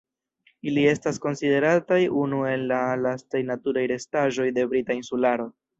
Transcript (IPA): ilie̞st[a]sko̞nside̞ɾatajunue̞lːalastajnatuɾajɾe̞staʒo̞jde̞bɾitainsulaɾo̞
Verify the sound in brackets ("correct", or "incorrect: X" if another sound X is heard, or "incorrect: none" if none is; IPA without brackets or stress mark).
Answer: correct